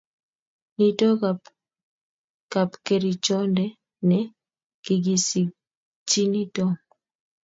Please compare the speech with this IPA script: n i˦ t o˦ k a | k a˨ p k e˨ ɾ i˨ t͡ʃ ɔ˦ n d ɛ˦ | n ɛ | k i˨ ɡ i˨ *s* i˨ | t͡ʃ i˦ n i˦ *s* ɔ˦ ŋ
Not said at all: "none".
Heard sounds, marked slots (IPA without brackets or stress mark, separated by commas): s, t